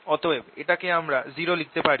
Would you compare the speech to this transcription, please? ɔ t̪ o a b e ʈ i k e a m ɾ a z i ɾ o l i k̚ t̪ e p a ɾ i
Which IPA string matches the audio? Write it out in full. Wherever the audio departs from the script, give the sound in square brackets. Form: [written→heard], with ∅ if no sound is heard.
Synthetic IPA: ɔ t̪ o [a→e] b e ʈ [i→a] k e a m ɾ a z i ɾ o l i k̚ t̪ e p a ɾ i